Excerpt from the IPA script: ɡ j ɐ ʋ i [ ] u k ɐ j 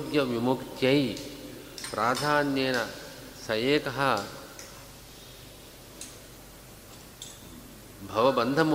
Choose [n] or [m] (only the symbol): m